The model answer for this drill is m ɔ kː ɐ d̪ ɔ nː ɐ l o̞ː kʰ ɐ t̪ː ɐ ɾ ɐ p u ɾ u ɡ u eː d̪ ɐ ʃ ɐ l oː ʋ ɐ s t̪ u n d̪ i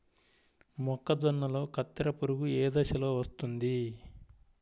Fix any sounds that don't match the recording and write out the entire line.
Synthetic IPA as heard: m ɔ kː ɐ d̪ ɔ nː ɐ l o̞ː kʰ ɐ t̪ː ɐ ɾ ɐ p u ɾ u ɡ u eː d̪ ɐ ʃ ɐ l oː ʋ ɐ s t̪ u n d̪ i